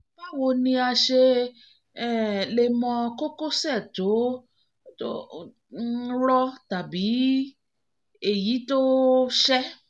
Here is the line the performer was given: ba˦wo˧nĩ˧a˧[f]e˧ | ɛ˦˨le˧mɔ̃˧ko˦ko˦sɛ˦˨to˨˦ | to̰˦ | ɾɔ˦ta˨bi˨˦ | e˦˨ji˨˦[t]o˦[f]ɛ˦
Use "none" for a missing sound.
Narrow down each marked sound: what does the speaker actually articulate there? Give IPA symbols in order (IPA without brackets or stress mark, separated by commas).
ʃ, t, ʃ